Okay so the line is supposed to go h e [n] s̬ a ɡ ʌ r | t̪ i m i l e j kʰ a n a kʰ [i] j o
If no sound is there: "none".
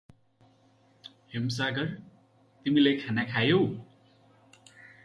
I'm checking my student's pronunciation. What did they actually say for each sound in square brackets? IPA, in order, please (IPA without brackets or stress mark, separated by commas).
m, a